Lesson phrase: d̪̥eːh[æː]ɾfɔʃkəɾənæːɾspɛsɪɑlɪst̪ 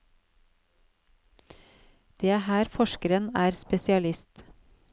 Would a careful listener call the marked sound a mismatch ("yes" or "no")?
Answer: no